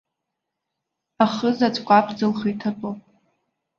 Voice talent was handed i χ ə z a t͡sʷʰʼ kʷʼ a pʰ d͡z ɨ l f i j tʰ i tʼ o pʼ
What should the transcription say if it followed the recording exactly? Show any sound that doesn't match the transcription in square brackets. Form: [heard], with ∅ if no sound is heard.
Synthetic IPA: [a] χ ə z a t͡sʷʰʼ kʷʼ a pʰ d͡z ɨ l [χ] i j tʰ [a] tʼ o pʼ